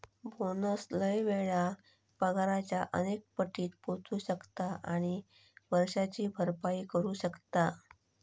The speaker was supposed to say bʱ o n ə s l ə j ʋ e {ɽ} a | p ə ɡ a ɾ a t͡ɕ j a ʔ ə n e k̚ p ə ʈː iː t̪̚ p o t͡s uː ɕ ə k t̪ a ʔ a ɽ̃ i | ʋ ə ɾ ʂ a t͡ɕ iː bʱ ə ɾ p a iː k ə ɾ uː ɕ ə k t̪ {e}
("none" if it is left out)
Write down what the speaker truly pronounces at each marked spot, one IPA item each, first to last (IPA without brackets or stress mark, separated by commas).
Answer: ɭ, a